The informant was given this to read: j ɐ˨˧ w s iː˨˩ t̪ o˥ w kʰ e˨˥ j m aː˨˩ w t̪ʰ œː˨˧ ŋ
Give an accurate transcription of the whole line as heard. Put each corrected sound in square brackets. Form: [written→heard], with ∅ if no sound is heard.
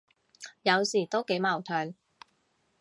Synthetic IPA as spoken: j ɐ˨˧ w s iː˨˩ t̪ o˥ w [kʰ→k] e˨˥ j m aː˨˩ w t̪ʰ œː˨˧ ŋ